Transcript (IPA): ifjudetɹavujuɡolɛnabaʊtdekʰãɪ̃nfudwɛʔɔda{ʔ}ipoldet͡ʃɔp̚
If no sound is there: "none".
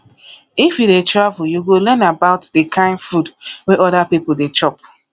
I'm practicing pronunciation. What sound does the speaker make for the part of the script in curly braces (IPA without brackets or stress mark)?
p